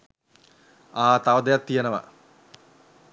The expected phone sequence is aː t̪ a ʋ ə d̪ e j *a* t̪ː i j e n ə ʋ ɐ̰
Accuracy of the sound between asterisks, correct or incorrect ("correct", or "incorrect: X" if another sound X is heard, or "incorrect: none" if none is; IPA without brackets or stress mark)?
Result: correct